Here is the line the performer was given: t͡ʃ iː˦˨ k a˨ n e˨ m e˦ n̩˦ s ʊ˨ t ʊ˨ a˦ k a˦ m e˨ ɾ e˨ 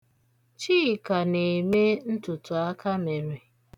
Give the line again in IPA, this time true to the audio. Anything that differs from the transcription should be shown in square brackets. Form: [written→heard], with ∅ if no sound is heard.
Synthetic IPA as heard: t͡ʃ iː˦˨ k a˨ n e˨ m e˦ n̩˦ [s→t] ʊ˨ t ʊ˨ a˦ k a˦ m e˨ ɾ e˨